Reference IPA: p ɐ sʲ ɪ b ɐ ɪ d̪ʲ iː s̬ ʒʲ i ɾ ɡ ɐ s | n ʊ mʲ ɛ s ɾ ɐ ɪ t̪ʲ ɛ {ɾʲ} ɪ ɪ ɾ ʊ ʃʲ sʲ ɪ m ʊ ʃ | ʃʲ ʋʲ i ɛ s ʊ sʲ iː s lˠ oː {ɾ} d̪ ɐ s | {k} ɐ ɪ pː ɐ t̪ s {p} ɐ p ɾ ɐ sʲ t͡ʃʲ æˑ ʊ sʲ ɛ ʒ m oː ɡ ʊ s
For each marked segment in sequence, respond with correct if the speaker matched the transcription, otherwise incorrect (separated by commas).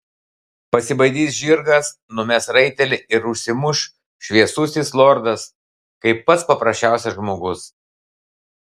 incorrect, correct, correct, correct